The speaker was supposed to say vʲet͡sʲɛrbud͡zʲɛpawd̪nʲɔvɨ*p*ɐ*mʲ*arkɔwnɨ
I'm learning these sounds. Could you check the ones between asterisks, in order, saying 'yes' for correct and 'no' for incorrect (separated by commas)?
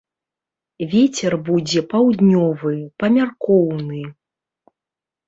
yes, yes